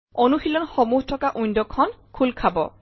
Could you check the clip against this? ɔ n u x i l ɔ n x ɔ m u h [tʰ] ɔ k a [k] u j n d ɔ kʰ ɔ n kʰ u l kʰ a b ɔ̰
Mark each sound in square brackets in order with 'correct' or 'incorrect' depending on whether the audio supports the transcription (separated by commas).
correct, incorrect